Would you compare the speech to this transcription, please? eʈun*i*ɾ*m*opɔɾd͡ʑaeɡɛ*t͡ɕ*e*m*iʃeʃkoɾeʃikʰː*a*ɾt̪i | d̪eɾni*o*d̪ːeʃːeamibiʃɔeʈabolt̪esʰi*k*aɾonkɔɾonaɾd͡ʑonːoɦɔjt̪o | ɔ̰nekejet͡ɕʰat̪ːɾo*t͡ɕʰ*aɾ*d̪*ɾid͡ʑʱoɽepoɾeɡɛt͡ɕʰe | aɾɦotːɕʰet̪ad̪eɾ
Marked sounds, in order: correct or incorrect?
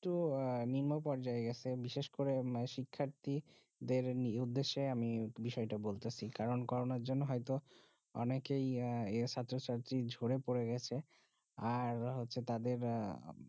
correct, correct, incorrect: t͡ɕʰ, incorrect: b, correct, incorrect: u, correct, incorrect: t͡ɕ, incorrect: t̪

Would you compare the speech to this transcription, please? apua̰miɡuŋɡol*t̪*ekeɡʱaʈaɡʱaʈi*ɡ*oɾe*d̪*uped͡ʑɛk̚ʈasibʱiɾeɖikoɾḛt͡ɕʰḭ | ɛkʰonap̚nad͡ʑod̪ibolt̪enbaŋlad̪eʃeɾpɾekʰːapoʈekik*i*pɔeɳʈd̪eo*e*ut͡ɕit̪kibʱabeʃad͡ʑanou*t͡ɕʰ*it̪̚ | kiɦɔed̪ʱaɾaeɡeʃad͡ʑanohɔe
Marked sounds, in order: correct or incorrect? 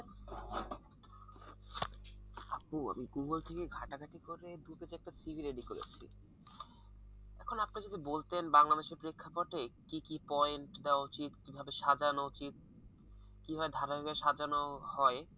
incorrect: t̪ʰ, incorrect: k, correct, correct, incorrect: a, incorrect: t͡ɕ

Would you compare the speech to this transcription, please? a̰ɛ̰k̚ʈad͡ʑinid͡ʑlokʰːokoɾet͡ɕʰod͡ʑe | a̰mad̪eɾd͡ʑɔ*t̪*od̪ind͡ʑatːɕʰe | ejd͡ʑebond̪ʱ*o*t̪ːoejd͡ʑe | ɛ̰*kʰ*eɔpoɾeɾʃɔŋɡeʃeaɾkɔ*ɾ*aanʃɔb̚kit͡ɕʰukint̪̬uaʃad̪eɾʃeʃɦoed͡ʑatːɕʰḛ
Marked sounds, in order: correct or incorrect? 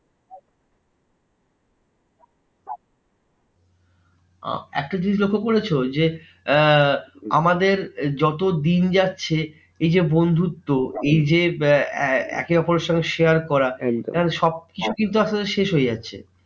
correct, incorrect: u, incorrect: k, correct

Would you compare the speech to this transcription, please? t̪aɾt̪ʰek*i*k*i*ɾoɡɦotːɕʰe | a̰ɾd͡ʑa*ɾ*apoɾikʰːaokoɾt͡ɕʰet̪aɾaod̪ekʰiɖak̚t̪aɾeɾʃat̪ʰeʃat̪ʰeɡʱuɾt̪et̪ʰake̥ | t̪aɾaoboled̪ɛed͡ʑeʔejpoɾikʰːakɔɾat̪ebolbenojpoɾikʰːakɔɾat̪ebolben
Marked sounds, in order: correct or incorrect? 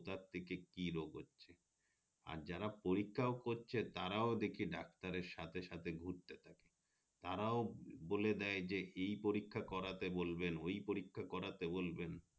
incorrect: e, correct, correct

